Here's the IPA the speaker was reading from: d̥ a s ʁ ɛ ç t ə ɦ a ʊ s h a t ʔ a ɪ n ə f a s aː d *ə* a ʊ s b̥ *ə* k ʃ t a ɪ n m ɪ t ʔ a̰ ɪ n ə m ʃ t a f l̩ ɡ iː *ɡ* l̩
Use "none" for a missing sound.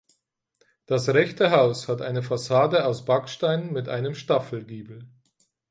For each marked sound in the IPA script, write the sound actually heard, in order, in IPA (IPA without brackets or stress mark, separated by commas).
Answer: ə, a, b